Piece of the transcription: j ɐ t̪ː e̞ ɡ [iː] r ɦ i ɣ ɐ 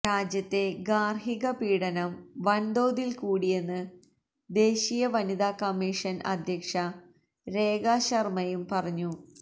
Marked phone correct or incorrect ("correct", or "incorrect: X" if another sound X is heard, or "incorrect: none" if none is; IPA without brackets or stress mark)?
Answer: incorrect: aː